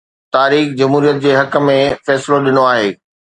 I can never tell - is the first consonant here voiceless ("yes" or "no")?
yes